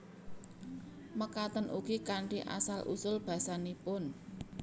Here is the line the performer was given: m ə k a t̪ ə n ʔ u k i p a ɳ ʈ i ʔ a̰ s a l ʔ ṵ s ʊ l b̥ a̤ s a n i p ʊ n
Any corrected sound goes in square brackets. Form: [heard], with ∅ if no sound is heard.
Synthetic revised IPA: m ə k a t̪ ə n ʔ u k i [k] a ɳ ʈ i ʔ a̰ s a l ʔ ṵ s ʊ l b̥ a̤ s a n i p ʊ n